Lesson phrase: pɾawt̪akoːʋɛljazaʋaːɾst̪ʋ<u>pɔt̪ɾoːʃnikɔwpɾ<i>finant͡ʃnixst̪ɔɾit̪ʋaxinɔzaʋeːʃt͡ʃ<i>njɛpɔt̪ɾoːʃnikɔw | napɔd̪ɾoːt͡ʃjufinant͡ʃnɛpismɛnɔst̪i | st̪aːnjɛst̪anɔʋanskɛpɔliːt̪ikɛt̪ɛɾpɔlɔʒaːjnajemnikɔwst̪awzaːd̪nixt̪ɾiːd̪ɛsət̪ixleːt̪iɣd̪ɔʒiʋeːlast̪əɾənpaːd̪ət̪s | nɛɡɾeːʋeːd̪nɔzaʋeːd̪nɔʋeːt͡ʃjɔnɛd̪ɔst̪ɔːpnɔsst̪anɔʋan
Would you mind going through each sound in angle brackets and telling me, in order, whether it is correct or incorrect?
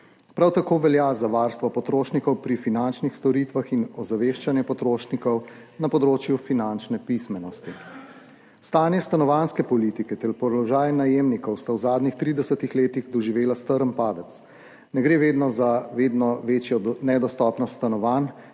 incorrect: ɔ, correct, incorrect: a

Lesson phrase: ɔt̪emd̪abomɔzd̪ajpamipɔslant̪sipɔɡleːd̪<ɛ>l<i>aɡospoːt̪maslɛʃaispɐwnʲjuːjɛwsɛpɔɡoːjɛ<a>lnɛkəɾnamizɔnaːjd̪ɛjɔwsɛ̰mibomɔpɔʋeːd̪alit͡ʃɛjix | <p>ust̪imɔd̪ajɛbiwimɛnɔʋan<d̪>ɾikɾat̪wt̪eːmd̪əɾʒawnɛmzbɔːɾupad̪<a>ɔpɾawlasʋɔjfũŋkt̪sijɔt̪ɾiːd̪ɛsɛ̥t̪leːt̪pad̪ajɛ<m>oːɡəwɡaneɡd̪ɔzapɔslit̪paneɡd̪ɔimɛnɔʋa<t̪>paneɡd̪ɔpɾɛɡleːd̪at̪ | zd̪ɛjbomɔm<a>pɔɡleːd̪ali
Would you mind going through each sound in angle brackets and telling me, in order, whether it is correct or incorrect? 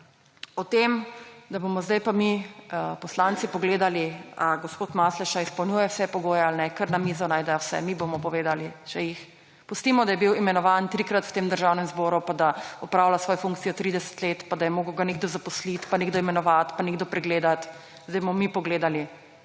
incorrect: a, correct, correct, correct, incorrect: t̪, correct, correct, correct, incorrect: i

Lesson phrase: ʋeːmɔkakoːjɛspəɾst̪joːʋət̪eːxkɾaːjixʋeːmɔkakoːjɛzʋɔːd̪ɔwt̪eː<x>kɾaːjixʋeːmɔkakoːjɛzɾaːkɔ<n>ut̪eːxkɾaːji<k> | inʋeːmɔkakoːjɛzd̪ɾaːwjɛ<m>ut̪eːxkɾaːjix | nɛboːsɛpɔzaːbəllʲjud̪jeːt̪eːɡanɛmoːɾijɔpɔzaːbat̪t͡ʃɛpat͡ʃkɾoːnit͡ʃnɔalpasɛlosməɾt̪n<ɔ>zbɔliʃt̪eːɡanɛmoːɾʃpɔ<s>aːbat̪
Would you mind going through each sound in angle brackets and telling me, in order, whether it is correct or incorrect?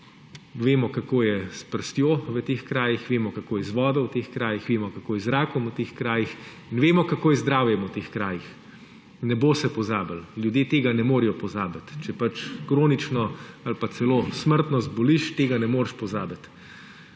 correct, incorrect: m, incorrect: x, correct, correct, incorrect: z

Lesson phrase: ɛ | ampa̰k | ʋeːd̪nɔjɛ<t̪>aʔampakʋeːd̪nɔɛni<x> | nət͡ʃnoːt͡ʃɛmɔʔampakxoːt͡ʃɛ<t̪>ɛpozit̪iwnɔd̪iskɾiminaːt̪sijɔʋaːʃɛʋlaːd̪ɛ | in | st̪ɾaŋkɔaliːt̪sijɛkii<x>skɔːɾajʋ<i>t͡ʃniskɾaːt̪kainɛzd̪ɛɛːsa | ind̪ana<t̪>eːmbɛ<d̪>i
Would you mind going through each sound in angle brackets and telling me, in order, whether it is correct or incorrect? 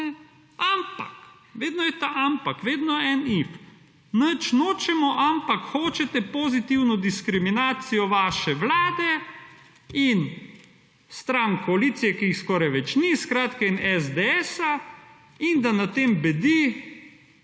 correct, incorrect: f, correct, correct, incorrect: ɛ, correct, correct

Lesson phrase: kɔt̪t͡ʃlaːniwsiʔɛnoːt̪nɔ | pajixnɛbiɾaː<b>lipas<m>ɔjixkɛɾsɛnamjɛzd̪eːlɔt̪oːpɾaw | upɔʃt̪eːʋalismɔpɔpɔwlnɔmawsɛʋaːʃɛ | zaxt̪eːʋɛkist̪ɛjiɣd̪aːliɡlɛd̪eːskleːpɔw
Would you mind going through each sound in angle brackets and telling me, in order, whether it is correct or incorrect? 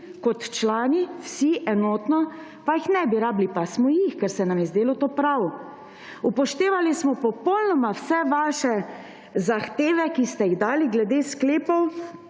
correct, correct

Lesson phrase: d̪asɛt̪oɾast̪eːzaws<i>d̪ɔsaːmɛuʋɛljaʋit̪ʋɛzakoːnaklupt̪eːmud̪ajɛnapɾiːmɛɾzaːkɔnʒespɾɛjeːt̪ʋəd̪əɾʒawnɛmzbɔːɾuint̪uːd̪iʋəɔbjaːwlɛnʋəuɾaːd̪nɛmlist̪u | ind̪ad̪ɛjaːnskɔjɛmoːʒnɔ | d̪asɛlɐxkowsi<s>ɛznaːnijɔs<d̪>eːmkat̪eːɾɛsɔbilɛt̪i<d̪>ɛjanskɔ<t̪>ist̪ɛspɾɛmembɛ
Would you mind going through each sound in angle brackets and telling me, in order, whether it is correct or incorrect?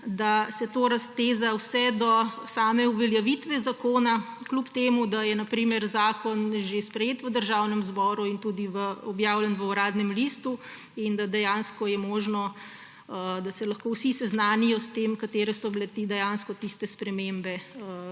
incorrect: ɛ, correct, incorrect: t̪, correct, correct

